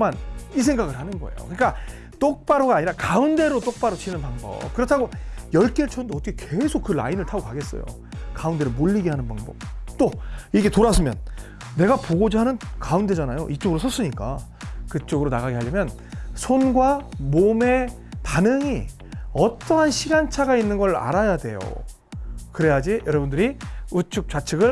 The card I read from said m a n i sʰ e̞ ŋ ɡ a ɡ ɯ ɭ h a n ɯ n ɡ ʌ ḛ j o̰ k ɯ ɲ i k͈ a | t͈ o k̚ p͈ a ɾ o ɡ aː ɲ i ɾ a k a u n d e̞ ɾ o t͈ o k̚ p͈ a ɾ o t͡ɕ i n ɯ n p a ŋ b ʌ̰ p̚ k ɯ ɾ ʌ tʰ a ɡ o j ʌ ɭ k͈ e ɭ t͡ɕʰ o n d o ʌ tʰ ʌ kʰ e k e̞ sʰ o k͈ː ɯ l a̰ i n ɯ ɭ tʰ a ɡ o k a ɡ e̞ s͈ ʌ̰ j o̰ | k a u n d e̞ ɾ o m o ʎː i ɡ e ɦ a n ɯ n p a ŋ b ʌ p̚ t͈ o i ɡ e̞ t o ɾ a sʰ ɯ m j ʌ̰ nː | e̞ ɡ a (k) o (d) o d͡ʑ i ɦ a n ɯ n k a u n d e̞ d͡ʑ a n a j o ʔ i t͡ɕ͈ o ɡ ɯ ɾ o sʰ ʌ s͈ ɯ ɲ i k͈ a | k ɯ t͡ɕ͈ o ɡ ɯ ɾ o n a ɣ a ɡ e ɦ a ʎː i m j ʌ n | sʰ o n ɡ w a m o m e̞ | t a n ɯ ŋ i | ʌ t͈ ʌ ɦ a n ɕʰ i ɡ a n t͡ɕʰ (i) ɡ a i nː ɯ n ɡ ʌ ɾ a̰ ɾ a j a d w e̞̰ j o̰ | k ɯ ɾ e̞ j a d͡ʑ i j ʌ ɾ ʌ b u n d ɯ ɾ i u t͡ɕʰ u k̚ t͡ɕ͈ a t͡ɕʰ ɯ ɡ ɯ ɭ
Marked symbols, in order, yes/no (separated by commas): no, no, no